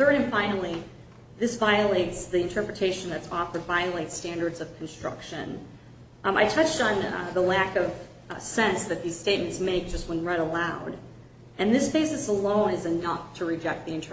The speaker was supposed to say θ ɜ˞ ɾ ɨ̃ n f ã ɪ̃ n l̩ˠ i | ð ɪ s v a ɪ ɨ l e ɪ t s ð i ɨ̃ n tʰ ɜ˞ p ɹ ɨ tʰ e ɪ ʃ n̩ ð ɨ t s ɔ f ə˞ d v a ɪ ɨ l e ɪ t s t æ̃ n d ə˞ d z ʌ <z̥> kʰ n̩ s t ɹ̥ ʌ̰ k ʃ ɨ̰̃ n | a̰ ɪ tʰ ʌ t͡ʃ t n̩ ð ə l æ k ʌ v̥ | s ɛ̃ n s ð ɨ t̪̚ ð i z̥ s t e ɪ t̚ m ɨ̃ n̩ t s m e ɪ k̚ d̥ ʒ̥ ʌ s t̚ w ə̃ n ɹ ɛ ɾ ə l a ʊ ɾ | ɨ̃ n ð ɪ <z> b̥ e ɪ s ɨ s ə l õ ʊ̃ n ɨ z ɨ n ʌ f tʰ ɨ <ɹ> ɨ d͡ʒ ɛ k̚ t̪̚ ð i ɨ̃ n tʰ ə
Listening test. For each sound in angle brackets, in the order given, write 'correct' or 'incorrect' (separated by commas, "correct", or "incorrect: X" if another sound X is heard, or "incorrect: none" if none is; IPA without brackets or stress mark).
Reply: incorrect: v̥, incorrect: s, correct